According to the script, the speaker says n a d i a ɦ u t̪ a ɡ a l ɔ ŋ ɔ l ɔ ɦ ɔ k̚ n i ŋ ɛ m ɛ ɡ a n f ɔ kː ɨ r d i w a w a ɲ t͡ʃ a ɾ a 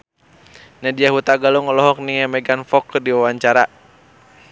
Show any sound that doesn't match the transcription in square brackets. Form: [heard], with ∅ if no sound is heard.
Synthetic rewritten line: n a d i a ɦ u t̪ a ɡ a l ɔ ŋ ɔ l ɔ ɦ ɔ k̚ n i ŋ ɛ m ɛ ɡ a n f ɔ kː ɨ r d i w a w a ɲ t͡ʃ a ɾ a